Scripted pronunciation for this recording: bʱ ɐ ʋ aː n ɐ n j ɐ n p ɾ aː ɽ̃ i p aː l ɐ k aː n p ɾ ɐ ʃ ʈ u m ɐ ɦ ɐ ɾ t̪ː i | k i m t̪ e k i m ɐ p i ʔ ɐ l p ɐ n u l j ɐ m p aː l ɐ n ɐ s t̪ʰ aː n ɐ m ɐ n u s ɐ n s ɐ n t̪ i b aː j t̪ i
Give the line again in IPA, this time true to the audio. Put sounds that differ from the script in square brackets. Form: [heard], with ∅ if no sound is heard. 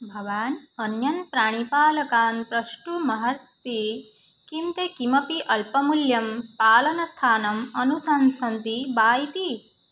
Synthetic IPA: bʱ ɐ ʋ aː n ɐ n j ɐ n p ɾ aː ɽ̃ i p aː l ɐ k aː n p ɾ ɐ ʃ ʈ u m ɐ ɦ ɐ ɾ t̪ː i | k i m t̪ e k i m ɐ p i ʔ ɐ l p ɐ [m] u l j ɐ m p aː l ɐ n ɐ s t̪ʰ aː n ɐ m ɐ n u s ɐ n s ɐ n t̪ i b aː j t̪ i

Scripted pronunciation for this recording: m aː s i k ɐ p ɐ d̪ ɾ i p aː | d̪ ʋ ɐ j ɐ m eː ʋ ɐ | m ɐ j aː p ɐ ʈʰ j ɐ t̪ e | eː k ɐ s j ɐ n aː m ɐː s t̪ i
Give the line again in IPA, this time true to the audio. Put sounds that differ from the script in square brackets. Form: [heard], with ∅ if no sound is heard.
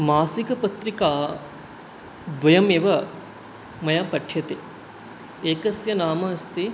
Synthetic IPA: m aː s i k ɐ p ɐ [t̪] ɾ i [k] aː | d̪ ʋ ɐ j ɐ m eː ʋ ɐ | m ɐ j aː p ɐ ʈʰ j ɐ t̪ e | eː k ɐ s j ɐ n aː m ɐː s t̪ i

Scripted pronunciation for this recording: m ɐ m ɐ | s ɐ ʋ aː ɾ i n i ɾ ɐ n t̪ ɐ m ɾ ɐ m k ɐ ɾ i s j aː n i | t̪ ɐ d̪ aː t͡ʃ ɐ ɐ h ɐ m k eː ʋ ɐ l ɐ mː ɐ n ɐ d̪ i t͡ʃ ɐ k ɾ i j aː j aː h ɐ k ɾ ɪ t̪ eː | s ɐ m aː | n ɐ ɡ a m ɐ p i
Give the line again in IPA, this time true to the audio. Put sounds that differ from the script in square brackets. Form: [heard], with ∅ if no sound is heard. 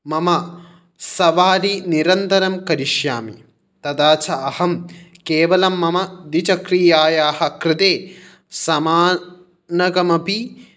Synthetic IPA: m ɐ m ɐ | s ɐ ʋ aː ɾ i n i ɾ ɐ n t̪ ɐ [∅] ɾ ɐ m k ɐ ɾ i [ʃ] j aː [m] i | t̪ ɐ d̪ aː t͡ʃ ɐ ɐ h ɐ m k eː ʋ ɐ l ɐ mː ɐ [m] ɐ d̪ i t͡ʃ ɐ k ɾ i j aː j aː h ɐ k ɾ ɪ t̪ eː | s ɐ m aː | n ɐ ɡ [ɐ] m ɐ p i

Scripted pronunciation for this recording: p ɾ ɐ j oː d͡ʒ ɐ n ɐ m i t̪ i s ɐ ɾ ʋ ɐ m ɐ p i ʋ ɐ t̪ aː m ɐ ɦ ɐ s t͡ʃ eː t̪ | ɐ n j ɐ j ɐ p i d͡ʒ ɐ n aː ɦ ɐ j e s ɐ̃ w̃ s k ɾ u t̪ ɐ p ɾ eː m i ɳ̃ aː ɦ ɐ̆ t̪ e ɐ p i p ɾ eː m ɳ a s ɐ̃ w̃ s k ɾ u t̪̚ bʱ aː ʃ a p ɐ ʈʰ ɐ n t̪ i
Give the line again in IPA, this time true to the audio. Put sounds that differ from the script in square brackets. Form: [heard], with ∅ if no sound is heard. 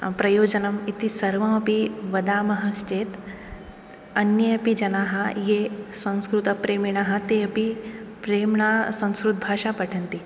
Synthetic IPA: p ɾ ɐ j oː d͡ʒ ɐ n ɐ m i t̪ i s ɐ ɾ ʋ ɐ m ɐ p i ʋ ɐ [d̪] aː m ɐ ɦ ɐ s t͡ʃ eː t̪ | ɐ n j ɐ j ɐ p i d͡ʒ ɐ n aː ɦ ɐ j e s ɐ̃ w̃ s k ɾ u t̪ ɐ p ɾ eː m i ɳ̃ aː ɦ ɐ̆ t̪ e ɐ p i p ɾ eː m ɳ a s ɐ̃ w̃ s k ɾ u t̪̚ bʱ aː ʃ a p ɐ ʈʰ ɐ n t̪ i

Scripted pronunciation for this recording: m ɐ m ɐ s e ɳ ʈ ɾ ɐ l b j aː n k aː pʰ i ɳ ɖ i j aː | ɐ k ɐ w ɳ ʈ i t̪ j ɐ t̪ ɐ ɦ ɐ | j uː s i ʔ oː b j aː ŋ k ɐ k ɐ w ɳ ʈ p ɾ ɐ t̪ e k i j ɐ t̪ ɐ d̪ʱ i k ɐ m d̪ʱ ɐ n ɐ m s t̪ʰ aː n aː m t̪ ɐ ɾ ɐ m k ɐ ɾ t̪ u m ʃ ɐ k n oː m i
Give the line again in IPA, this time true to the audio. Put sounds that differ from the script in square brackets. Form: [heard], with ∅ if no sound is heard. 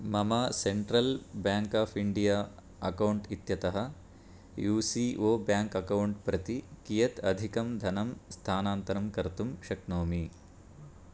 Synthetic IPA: m ɐ m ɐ s e ɳ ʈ ɾ ɐ l b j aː [ŋ] k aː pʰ i ɳ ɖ i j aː | ɐ k ɐ w ɳ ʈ i t̪ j ɐ t̪ ɐ ɦ ɐ | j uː s i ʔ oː b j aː ŋ k ɐ k ɐ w ɳ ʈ p ɾ ɐ t̪ [i] k i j ɐ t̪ ɐ d̪ʱ i k ɐ m d̪ʱ ɐ n ɐ m s t̪ʰ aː n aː [n] t̪ ɐ ɾ ɐ m k ɐ ɾ t̪ u m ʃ ɐ k n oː m i

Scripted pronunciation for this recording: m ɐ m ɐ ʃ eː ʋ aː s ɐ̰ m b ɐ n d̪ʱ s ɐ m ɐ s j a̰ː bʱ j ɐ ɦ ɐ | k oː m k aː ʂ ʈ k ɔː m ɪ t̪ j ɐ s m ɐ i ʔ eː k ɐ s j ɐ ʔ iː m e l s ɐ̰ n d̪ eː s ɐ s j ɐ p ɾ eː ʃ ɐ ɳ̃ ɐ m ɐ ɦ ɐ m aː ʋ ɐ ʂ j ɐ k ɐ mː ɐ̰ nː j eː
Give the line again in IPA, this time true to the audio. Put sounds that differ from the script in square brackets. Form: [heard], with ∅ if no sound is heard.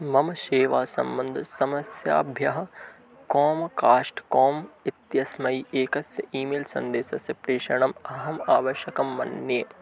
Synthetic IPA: m ɐ m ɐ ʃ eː ʋ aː s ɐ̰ m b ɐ n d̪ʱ s ɐ m ɐ s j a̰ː bʱ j ɐ ɦ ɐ | k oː m k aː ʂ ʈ k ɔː m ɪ t̪ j ɐ s m ɐ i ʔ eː k ɐ s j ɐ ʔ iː m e l s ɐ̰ n d̪ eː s ɐ s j ɐ p ɾ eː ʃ ɐ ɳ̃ ɐ m ɐ ɦ ɐ m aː ʋ ɐ [ʃ] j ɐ k ɐ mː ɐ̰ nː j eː

